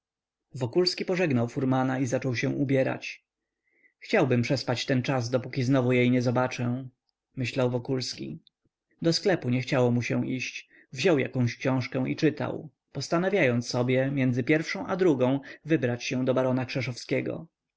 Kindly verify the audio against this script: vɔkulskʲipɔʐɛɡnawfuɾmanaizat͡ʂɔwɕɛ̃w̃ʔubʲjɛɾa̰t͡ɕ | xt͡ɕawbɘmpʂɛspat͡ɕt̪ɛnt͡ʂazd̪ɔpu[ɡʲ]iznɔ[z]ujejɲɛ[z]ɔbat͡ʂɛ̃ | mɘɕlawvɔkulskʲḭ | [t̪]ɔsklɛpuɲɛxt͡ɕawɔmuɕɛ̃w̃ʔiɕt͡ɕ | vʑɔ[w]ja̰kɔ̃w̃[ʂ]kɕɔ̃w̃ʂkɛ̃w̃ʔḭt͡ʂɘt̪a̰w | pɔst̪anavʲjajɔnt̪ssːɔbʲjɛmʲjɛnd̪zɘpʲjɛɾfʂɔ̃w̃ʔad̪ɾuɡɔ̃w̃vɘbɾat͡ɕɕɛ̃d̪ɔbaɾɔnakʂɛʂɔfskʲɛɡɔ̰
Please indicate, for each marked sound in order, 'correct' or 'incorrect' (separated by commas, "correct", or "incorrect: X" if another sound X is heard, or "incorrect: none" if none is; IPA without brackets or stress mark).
incorrect: kʲ, incorrect: v, correct, incorrect: d̪, correct, incorrect: ɕ